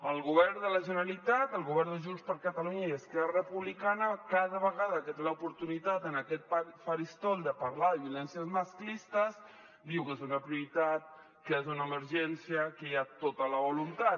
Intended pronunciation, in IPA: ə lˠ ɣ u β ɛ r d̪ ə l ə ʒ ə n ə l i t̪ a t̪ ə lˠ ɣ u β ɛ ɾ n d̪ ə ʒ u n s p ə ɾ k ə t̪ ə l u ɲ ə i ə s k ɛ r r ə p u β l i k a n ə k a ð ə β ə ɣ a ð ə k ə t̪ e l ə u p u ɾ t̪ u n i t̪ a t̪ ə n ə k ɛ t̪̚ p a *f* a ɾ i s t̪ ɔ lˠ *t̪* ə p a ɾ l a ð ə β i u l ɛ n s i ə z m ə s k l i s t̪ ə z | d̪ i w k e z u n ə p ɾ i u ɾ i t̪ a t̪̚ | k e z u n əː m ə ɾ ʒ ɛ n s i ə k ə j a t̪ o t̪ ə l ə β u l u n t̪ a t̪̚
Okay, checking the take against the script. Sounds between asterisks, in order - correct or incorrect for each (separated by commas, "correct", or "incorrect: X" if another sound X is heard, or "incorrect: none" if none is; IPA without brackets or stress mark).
correct, incorrect: d̪